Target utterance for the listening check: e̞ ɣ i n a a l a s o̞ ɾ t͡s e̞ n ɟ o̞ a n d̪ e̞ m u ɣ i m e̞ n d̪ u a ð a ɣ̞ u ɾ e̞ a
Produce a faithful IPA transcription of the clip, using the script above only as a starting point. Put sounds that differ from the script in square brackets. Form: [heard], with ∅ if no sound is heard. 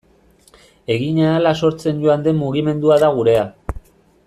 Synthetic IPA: e̞ ɣ i [ɲ] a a l a s o̞ ɾ t͡s e̞ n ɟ o̞ a n d̪ e̞ m u ɣ i m e̞ n d̪ u a ð a ɣ̞ u ɾ e̞ a